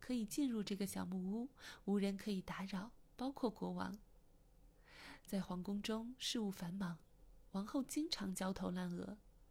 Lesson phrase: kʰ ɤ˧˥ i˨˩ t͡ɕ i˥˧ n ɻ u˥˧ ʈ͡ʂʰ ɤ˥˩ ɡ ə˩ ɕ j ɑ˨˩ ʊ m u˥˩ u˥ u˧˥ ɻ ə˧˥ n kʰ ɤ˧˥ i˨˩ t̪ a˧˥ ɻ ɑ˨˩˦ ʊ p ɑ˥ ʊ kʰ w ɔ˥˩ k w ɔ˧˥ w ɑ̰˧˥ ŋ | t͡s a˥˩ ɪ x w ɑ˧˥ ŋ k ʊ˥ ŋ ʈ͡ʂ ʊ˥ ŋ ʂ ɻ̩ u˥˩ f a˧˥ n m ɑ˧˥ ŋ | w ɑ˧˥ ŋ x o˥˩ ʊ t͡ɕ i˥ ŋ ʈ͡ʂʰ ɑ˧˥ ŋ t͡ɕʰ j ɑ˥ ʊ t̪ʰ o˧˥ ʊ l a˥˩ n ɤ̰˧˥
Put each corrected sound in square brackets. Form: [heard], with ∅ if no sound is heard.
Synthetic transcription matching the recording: kʰ ɤ˧˥ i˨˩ t͡ɕ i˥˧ n ɻ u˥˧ [ʈ͡ʂ] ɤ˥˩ ɡ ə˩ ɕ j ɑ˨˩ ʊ m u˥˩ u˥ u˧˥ ɻ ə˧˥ n kʰ ɤ˧˥ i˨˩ t̪ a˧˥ ɻ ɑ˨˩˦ ʊ p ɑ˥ ʊ kʰ w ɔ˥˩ k w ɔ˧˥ w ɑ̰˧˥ ŋ | t͡s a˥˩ ɪ x w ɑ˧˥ ŋ k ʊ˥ ŋ ʈ͡ʂ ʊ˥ ŋ ʂ ɻ̩ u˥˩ f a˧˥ n m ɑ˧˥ ŋ | w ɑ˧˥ ŋ x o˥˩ ʊ t͡ɕ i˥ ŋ ʈ͡ʂʰ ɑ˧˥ ŋ [t͡ɕ] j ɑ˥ ʊ t̪ʰ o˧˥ ʊ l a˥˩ n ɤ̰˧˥